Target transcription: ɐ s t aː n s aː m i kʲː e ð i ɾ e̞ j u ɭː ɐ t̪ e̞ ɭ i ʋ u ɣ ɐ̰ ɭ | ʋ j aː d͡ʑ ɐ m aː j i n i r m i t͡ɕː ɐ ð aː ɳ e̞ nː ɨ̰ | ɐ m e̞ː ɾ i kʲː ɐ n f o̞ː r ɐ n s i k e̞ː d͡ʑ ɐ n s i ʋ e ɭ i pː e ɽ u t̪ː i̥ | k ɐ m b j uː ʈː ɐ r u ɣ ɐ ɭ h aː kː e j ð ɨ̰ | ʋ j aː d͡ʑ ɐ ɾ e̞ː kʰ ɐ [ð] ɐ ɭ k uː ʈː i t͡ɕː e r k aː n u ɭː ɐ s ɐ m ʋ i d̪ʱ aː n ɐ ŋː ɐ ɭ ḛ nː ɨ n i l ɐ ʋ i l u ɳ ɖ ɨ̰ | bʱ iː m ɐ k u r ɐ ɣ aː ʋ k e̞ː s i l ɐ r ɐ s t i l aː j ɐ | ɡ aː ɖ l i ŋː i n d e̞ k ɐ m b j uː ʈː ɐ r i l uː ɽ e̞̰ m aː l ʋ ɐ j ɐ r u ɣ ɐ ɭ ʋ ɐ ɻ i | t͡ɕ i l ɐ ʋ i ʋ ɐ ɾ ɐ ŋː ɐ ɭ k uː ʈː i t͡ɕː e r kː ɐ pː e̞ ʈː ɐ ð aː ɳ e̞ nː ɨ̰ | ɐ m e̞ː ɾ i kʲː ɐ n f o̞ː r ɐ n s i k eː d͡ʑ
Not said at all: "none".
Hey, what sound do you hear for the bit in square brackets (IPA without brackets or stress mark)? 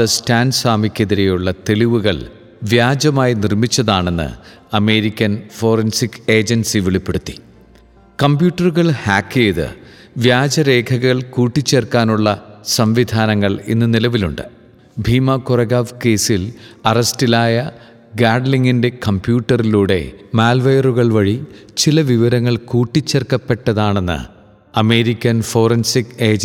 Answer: ɣ